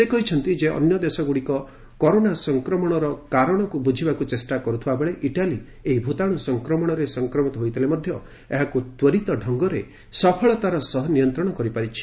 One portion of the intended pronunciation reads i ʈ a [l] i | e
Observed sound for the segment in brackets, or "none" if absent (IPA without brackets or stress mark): l